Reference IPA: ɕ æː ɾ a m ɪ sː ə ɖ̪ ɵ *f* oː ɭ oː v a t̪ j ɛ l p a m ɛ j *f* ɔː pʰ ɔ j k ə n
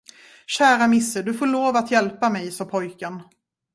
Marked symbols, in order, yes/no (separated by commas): yes, no